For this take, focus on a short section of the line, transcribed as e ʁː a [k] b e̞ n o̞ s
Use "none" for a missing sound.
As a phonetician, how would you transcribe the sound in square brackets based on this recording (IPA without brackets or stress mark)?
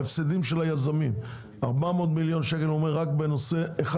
k